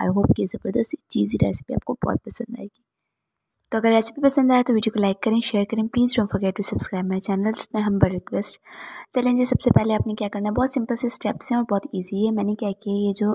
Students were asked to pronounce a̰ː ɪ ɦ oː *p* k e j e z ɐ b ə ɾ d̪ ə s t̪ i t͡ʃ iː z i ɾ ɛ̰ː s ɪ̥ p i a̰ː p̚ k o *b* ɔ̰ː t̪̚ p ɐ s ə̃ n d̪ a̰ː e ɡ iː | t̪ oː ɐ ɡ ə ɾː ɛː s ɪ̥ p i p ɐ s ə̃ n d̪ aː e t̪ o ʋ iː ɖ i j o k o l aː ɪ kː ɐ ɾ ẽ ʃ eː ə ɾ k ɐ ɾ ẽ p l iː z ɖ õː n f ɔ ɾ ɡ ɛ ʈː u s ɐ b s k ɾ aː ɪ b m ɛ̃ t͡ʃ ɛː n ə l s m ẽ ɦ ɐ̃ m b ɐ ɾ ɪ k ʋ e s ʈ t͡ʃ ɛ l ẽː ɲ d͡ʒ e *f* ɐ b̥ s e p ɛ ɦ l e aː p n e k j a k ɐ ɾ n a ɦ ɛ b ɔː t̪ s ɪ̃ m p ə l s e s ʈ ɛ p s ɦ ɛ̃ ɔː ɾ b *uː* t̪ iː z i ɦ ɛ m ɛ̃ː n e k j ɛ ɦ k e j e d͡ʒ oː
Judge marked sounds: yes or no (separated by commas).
yes, yes, no, no